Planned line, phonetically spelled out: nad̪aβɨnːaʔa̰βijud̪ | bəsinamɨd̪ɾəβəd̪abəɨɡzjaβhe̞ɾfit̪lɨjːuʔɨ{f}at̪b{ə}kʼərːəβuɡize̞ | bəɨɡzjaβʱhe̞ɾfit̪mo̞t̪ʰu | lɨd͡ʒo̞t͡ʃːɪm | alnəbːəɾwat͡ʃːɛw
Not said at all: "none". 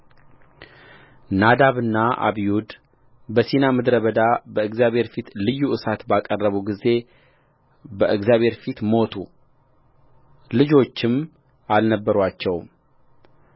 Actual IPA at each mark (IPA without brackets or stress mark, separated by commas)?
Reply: s, a